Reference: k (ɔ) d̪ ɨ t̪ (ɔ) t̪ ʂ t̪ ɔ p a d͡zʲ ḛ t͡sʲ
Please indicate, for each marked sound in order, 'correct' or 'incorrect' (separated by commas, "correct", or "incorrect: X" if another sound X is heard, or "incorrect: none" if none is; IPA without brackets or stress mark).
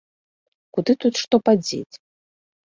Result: incorrect: u, incorrect: u